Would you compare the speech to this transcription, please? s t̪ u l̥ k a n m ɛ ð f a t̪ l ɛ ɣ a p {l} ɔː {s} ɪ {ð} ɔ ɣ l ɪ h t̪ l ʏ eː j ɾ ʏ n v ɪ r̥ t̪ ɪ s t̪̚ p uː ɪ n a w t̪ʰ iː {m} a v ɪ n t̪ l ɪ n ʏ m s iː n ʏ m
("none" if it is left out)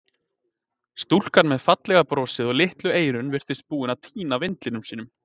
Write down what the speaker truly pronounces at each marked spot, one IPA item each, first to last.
ɾ, s, ð, n

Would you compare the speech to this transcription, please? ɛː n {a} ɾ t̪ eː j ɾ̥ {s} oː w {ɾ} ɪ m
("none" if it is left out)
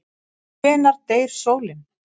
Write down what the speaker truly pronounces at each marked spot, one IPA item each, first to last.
a, s, l

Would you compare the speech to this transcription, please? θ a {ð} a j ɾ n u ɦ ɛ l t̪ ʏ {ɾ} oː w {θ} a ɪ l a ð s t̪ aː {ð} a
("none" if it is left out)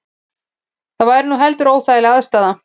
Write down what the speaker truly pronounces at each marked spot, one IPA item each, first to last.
v, ɾ, θ, ð

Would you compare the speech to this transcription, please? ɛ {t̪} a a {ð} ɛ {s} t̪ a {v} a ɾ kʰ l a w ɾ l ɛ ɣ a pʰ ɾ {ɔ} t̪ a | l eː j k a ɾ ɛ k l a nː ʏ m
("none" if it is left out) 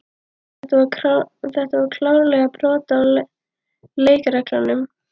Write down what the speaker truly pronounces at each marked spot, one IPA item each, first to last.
t̪, θ, h, v, ɔː

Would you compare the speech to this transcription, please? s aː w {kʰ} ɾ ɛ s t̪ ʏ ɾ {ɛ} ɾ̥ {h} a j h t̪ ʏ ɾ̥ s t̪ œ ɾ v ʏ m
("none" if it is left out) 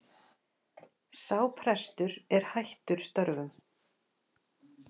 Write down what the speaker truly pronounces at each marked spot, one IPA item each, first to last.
pʰ, ɛ, h

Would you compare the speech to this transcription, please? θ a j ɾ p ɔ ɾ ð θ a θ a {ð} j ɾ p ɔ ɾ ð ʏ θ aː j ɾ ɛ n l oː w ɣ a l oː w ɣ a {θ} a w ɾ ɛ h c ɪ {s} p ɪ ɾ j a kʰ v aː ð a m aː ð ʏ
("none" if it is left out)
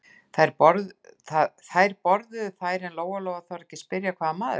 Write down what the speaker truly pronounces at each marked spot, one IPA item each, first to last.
none, θ, s

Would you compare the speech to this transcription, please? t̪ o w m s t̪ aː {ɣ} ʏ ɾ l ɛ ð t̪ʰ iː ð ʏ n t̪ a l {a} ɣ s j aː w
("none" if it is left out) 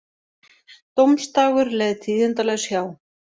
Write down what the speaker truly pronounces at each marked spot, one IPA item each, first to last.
ɣ, ɛ

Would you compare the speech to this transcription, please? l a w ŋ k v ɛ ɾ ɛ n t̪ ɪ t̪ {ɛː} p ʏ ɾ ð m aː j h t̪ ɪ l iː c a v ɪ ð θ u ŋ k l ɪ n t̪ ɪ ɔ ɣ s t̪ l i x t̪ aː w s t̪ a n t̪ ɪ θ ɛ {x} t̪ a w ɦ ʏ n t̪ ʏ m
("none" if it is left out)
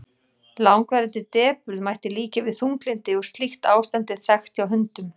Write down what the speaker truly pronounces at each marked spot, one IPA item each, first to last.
ɛː, x

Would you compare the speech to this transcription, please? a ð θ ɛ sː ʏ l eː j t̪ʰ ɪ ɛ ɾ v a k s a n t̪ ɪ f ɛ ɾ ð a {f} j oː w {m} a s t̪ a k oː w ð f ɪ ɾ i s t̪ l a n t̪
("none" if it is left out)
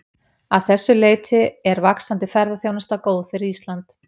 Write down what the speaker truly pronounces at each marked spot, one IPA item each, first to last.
θ, n

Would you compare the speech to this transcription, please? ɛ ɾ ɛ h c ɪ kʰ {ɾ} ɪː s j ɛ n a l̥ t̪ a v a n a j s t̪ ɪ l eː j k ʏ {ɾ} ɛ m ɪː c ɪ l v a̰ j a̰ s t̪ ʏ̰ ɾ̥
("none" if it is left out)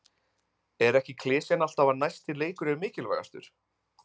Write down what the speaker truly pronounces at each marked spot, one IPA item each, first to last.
l, ɾ

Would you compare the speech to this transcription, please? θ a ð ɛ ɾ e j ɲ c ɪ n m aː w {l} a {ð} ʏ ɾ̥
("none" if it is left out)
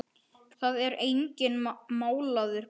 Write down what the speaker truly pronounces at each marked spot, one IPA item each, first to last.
l, ð

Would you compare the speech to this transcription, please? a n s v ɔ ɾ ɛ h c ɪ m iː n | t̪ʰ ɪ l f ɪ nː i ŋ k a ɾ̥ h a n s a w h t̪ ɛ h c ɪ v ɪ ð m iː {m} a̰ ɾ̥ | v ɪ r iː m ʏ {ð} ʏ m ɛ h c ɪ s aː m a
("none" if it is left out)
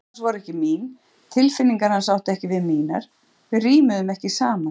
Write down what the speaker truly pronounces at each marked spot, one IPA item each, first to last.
n, ð

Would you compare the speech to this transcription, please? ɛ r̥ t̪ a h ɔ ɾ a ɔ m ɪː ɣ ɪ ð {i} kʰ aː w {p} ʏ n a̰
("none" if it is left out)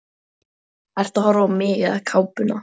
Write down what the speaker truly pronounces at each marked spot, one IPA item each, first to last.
a, p

